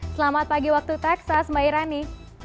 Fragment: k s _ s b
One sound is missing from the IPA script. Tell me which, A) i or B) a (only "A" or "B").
B